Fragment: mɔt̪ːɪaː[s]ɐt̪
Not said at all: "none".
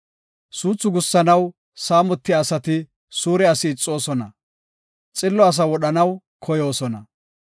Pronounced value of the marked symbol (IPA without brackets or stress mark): s